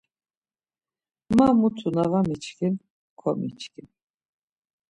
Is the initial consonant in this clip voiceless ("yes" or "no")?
no